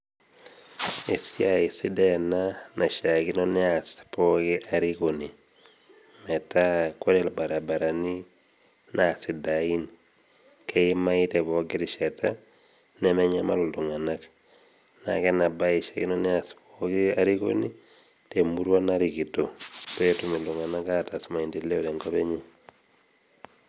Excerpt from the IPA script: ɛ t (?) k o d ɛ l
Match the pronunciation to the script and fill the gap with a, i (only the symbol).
a